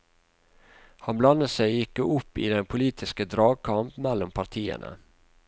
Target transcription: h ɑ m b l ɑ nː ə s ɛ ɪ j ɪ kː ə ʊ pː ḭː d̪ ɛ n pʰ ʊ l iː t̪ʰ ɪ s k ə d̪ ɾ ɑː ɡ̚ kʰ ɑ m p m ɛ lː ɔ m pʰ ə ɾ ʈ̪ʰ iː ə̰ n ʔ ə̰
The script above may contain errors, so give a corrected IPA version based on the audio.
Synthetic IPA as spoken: h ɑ n b l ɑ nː ə s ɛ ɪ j ɪ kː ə ʊ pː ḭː d̪ ɛ n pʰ ʊ l iː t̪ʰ ɪ s k ə d̪ ɾ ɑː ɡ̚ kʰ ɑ m p m ɛ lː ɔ m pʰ ɑ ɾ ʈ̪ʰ iː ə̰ n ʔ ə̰